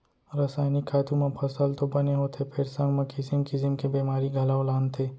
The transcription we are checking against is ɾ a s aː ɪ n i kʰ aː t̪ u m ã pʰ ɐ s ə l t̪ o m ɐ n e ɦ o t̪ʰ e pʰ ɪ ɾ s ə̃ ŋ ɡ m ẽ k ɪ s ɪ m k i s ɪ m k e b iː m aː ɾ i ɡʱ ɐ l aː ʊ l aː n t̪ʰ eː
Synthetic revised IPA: ɾ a s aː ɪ n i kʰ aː t̪ u m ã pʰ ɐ s ə l t̪ o b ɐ n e ɦ o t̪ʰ e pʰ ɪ ɾ s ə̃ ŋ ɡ m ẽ k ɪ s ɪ m k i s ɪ m k e b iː m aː ɾ i ɡʱ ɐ l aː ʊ l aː n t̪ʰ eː